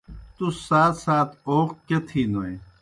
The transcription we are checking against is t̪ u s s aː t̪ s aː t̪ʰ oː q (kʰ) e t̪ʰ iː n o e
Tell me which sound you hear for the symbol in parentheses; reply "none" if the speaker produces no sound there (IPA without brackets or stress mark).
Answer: k